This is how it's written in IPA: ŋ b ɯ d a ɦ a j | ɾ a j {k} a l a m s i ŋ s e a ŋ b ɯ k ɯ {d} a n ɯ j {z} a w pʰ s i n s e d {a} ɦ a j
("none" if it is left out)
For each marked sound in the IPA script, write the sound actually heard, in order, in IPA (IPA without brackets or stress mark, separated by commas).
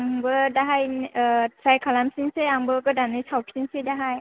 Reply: kʰ, d, s, a